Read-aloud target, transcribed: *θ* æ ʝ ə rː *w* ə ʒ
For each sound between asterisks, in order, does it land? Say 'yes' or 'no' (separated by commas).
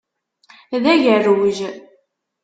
no, yes